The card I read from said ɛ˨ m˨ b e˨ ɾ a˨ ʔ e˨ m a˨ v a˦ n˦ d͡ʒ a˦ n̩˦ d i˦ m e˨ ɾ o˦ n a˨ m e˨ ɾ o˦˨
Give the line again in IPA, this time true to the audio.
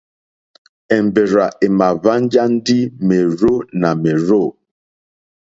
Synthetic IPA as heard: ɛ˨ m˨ b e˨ ɾ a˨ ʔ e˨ m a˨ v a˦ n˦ d͡ʒ a˦ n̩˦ d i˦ m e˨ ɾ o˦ n a˨ m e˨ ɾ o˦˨